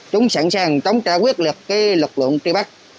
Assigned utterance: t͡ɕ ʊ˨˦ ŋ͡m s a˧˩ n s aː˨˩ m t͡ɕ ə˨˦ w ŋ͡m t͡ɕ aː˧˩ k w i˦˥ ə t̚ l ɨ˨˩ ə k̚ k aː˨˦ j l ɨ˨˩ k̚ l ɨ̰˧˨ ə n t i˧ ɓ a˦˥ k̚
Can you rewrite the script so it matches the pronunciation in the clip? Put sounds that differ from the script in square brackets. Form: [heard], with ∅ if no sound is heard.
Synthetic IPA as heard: t͡ɕ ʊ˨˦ ŋ͡m s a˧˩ n s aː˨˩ [ŋ] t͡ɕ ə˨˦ w ŋ͡m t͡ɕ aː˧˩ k w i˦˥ ə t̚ l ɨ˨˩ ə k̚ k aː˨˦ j l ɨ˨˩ k̚ l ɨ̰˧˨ ə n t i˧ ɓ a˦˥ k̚